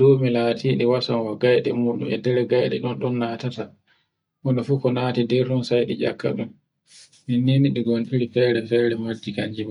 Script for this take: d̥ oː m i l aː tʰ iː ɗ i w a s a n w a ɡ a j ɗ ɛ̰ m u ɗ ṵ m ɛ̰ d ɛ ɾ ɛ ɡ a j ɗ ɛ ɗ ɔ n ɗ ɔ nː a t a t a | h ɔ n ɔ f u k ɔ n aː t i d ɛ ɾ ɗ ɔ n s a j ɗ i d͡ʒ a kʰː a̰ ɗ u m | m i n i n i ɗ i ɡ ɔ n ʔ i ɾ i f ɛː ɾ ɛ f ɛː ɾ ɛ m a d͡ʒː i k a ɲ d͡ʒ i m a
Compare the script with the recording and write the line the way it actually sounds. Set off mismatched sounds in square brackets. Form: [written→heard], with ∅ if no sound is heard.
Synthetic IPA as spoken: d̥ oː m i l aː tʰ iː ɗ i w a s a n w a ɡ a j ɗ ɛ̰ m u ɗ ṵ m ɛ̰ d ɛ ɾ ɛ ɡ a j ɗ ɛ ɗ ɔ n ɗ ɔ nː a t a t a | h ɔ n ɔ f u k ɔ n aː t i d ɛ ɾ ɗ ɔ n s a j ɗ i d͡ʒ a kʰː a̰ ɗ u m | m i n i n i ɗ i ɡ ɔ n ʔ i ɾ i f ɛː ɾ ɛ f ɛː ɾ ɛ m a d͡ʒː i k a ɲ d͡ʒ i m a